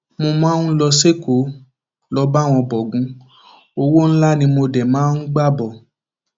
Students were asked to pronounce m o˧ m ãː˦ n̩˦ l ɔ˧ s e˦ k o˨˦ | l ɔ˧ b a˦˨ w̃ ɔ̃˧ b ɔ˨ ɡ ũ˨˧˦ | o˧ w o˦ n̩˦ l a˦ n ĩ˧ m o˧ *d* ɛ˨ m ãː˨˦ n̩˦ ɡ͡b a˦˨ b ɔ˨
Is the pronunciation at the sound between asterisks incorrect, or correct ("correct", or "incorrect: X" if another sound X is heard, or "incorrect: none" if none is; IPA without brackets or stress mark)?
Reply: correct